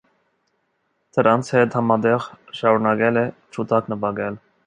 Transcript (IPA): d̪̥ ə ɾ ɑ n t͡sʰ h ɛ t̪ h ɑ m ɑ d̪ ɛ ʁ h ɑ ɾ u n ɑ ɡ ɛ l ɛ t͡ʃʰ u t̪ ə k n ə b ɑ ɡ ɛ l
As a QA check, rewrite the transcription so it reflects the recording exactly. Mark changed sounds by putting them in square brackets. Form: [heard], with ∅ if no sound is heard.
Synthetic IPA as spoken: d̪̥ ə ɾ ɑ n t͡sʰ h ɛ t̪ h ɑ m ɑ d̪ ɛ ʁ [ʃ] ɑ ɾ u n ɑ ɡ ɛ l ɛ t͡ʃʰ u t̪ [ɑ] k n ə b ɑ ɡ ɛ l